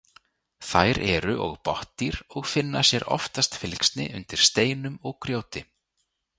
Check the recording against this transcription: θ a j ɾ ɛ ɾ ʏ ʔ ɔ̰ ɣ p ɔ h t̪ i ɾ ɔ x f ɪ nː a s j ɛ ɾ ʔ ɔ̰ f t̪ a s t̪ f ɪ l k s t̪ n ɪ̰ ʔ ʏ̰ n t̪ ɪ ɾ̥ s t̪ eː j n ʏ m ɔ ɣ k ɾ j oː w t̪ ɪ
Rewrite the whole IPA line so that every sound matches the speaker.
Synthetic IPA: θ a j ɾ ɛ ɾ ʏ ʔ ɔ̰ ɣ p ɔ h t̪ i ɾ ɔ ɣ f ɪ nː a s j ɛ ɾ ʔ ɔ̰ f t̪ a s t̪ f ɪ l k s t̪ n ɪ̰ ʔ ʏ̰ n t̪ ɪ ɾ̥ s t̪ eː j n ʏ m ɔ ɣ k ɾ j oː w t̪ ɪ